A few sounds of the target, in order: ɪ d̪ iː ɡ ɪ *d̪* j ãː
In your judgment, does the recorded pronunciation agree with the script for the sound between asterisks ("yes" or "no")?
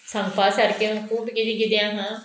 yes